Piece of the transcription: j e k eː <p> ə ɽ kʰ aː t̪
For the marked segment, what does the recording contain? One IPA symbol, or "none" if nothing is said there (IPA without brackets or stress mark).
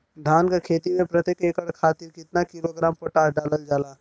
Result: k